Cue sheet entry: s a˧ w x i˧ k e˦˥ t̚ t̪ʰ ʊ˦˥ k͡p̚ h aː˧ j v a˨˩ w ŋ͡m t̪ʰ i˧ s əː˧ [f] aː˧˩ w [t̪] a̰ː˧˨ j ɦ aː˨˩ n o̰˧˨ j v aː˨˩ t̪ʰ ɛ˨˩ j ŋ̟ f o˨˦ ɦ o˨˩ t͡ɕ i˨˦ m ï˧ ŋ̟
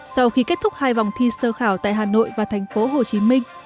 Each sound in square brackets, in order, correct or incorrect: incorrect: x, correct

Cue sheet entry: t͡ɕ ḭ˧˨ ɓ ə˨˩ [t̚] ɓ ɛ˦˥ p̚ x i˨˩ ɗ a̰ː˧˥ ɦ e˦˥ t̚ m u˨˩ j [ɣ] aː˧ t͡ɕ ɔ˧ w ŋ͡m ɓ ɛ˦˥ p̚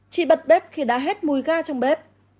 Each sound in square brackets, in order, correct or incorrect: correct, correct

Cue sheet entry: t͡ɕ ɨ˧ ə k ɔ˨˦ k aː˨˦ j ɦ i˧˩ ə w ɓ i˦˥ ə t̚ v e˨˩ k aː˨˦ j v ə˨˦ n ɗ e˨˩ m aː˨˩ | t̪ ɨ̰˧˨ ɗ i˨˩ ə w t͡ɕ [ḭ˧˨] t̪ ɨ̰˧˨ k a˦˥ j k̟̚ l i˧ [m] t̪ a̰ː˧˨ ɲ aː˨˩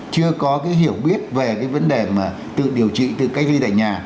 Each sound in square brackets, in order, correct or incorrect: correct, incorrect: none

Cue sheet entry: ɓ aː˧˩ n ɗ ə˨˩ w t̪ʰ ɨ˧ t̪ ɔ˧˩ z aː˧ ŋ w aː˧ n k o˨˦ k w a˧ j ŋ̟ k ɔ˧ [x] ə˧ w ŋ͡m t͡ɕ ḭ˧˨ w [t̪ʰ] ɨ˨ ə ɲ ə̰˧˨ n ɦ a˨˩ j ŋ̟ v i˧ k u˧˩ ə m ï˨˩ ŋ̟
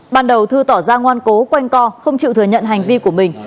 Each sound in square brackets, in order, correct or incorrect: correct, incorrect: t̪

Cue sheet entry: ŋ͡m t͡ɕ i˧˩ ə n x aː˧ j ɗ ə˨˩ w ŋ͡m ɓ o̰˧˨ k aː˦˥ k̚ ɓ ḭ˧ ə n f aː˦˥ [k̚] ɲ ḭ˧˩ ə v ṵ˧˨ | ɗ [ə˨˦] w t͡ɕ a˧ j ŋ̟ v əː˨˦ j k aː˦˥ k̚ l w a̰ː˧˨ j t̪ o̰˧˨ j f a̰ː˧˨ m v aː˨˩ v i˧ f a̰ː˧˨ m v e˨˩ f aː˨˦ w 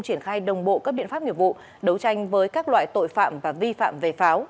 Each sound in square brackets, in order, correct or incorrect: incorrect: p̚, correct

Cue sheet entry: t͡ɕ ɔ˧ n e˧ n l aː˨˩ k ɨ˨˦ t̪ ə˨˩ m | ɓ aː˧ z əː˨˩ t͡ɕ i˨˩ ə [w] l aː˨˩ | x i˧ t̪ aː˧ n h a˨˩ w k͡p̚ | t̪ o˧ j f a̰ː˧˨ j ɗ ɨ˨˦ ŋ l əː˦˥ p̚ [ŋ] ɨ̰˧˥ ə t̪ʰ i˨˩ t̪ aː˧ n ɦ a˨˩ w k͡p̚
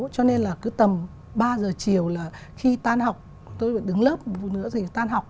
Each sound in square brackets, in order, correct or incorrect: correct, incorrect: n

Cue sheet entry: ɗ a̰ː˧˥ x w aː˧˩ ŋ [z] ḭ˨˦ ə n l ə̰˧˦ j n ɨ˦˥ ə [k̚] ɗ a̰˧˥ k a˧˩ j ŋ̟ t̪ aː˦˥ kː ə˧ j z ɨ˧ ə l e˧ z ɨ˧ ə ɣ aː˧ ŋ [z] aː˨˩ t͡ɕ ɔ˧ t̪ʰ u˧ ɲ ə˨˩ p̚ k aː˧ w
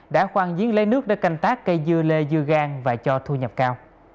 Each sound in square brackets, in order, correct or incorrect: correct, correct, incorrect: v

